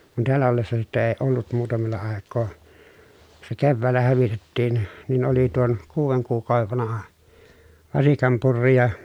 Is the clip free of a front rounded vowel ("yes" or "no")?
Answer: yes